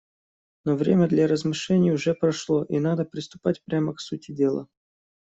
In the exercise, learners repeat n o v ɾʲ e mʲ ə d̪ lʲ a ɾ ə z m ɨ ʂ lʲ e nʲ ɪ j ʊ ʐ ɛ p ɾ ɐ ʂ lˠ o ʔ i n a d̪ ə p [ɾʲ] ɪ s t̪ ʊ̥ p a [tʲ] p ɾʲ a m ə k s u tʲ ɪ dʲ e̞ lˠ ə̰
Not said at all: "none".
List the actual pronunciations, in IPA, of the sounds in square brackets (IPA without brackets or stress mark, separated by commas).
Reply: ɾʲ, tʲ